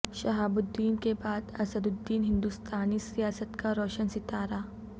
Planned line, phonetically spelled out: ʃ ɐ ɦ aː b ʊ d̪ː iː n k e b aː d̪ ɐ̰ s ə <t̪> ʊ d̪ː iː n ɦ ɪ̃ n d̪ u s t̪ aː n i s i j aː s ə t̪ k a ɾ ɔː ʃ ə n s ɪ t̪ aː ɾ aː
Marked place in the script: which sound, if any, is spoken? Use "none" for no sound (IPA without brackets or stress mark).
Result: d̪